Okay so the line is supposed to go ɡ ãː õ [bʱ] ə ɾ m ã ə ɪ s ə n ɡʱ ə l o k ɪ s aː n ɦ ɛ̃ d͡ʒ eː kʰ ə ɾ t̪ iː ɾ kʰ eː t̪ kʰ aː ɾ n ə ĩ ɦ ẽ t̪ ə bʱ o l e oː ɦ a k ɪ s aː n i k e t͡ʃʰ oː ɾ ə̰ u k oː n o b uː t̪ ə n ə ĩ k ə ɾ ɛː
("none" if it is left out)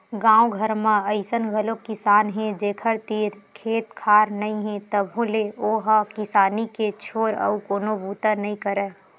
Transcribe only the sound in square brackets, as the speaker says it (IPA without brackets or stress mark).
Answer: ɡʱ